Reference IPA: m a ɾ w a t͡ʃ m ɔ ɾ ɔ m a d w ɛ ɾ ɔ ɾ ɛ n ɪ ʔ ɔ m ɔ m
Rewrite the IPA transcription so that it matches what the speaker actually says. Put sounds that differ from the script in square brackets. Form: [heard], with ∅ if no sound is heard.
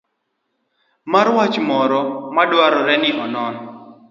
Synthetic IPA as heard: m a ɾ w a t͡ʃ m ɔ ɾ ɔ m a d w [a] ɾ ɔ ɾ ɛ n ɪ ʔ ɔ [n] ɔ [n]

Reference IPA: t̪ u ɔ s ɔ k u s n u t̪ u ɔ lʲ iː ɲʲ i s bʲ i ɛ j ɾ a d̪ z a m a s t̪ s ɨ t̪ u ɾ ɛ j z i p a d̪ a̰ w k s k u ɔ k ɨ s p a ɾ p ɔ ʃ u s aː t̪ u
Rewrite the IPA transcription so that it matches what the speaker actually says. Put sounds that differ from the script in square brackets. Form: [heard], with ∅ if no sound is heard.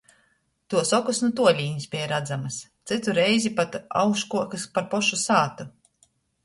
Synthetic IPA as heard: t̪ u ɔ s ɔ k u s n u t̪ u ɔ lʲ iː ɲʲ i s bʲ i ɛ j ɾ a d̪ z a m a s t̪ s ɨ t̪ u ɾ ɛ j z i p a [t̪] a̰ w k [ʃ] k u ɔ k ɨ s p a ɾ p ɔ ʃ u s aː t̪ u

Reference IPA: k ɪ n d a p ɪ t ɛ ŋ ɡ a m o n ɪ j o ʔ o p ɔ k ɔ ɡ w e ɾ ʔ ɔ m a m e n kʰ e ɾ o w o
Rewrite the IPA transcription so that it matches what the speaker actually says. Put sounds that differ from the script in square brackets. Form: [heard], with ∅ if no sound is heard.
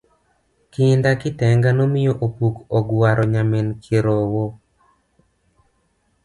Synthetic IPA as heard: k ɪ n d a [k] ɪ t ɛ ŋ ɡ a [n] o [m] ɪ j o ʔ o p [u] k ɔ ɡ w [a] ɾ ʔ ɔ [ɲ] a m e n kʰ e ɾ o w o

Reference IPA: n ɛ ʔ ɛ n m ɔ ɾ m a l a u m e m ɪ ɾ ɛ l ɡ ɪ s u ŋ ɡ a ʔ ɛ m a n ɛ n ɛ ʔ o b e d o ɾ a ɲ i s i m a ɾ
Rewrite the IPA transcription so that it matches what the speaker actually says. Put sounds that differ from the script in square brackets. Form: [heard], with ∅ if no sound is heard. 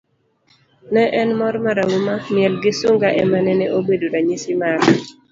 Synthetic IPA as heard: n ɛ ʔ ɛ n m ɔ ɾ m a [ɾ] a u m [a] m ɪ [∅] ɛ l ɡ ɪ s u ŋ ɡ a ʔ ɛ m a n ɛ n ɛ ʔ o b e d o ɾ a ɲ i s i m a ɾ

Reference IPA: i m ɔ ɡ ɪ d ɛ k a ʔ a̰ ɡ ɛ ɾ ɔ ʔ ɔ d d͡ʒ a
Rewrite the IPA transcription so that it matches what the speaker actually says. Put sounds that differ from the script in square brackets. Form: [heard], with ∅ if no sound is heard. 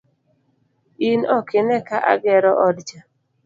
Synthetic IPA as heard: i [n] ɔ [k] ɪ [n] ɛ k a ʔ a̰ ɡ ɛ ɾ ɔ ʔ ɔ d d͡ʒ a

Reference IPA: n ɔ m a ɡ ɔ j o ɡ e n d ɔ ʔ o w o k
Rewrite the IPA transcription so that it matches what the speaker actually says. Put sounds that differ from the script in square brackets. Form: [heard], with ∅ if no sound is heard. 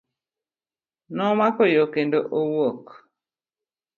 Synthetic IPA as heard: n ɔ m a [k] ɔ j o [k] e n d [o] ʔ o w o k

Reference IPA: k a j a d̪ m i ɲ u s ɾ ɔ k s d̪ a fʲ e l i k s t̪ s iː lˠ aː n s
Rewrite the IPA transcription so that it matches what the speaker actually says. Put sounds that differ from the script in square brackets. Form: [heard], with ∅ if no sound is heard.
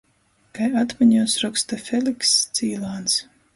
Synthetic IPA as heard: k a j a [t̪] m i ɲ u s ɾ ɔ k s [t̪] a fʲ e l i k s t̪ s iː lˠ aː n s

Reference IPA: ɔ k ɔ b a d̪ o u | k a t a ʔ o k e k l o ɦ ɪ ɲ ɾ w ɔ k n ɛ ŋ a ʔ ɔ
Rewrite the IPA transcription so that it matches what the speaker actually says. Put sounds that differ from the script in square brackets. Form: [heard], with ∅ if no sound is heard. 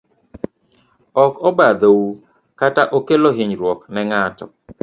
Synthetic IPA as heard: ɔ k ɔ b a d̪ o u | k a t a ʔ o k e [∅] l o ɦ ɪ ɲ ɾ w ɔ k n ɛ ŋ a [t] ɔ

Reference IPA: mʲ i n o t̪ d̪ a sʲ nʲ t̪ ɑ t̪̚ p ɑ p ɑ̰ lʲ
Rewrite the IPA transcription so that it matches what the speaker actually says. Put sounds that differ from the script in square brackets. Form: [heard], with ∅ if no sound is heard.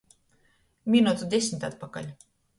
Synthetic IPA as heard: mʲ i n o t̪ d̪ [e] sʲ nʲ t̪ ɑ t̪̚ p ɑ [k] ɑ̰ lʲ

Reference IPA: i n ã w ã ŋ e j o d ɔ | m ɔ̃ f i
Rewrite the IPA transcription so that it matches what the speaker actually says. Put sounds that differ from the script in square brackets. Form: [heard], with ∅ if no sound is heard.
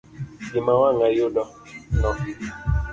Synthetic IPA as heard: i [m] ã w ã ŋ [a] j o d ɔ | [n] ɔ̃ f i

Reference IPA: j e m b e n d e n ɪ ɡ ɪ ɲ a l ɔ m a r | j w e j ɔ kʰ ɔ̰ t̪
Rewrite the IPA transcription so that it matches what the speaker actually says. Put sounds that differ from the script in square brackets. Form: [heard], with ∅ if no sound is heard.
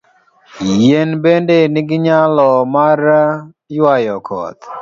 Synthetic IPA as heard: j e [n] b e n d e n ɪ ɡ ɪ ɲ a l ɔ m a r | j w [a] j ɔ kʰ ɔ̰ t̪

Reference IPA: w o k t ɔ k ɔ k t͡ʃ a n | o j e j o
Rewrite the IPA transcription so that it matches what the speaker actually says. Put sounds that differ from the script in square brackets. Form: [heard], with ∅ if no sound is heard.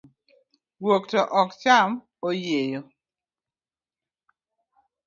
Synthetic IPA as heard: w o k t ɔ [ʔ] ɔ k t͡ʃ a [m] | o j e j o

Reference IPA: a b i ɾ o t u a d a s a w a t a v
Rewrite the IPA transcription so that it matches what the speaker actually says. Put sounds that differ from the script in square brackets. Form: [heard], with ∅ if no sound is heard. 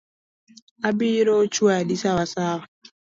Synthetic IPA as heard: a b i ɾ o [t͡ʃ] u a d [i] s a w a [s] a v

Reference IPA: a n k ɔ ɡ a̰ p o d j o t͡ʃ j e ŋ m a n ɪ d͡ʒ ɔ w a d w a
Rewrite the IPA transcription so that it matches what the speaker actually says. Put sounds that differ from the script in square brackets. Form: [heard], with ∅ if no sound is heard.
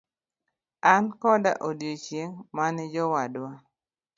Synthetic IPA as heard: a n k ɔ [d] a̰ [ʔ] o d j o t͡ʃ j e ŋ m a n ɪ d͡ʒ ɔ w a d w a

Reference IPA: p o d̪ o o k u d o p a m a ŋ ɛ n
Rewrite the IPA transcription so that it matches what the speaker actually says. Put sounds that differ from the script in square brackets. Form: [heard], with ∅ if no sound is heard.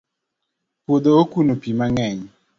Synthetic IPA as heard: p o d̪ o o k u [n] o p [i] m a ŋ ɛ [ɲ]

